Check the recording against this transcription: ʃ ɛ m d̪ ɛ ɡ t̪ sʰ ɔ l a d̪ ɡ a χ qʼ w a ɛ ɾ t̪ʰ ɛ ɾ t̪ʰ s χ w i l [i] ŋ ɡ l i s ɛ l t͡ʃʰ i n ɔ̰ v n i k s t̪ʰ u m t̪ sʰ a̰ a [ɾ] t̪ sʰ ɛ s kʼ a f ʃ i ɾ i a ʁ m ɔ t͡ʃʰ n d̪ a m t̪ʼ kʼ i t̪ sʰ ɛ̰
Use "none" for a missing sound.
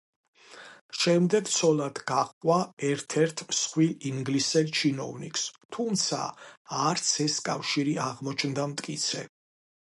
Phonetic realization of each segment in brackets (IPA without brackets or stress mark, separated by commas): i, ɾ